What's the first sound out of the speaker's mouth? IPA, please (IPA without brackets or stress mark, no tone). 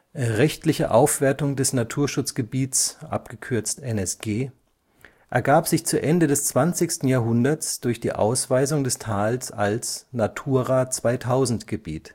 ʁ